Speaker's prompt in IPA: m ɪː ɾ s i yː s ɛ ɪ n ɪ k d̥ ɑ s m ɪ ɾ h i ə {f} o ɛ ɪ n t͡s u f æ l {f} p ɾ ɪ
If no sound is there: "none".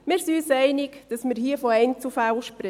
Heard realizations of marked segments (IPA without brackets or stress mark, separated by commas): f, ʃ